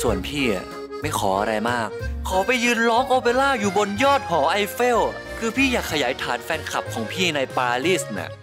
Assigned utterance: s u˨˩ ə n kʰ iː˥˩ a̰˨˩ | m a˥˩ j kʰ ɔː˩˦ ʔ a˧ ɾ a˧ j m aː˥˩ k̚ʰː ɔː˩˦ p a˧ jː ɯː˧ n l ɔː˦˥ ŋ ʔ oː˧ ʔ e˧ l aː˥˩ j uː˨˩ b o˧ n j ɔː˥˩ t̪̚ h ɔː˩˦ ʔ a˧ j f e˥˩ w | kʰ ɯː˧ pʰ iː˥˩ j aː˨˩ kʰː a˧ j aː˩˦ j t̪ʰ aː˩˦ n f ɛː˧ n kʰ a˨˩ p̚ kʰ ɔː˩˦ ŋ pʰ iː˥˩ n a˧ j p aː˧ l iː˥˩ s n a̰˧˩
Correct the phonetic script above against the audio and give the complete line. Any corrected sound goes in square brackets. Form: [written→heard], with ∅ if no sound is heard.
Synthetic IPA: s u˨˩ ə n [kʰ→pʰ] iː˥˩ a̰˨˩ | m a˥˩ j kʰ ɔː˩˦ ʔ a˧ ɾ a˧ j m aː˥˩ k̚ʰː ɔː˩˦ p a˧ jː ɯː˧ n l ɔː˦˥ ŋ ʔ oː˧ [ʔ→p] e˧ l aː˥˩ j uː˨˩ b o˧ n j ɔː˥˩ t̪̚ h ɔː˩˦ ʔ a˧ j f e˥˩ w | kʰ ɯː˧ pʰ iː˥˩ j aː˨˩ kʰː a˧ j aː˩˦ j t̪ʰ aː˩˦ n f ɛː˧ n kʰ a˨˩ p̚ kʰ ɔː˩˦ ŋ pʰ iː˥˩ n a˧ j p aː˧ l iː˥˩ s n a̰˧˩